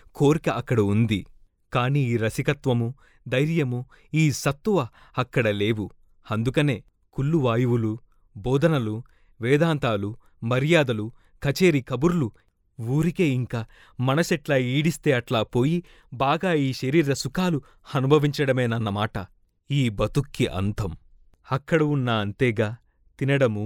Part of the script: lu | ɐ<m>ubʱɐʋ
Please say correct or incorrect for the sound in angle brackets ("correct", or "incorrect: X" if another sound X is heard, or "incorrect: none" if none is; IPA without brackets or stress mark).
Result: incorrect: n